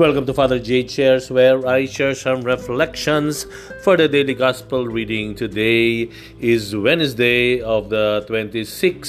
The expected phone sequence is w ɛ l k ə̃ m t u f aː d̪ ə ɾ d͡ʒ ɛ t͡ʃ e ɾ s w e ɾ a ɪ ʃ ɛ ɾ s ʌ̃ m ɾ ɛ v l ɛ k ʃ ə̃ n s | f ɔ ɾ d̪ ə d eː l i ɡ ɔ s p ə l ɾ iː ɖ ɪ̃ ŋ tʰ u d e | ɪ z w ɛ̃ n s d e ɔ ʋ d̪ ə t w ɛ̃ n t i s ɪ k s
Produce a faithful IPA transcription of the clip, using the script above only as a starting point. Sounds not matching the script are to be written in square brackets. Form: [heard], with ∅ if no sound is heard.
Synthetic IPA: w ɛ l k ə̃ m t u f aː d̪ ə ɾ d͡ʒ [e] t͡ʃ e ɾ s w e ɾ a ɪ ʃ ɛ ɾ s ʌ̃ m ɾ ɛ [f] l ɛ k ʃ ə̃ n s | f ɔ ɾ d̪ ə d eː l i ɡ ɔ s p ə l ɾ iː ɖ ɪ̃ ŋ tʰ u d e | ɪ z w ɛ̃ n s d e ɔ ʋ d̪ ə t w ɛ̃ n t i s ɪ k s